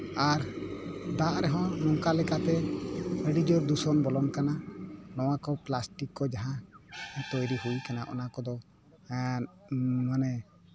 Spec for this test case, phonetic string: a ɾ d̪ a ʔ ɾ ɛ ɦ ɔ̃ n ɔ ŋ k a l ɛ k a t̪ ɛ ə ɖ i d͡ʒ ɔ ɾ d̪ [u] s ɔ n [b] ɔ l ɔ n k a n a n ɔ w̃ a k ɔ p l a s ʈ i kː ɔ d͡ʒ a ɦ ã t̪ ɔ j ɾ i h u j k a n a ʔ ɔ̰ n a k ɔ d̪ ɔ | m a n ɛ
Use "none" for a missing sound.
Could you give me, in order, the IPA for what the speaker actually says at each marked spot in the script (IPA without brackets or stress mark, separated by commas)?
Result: u, b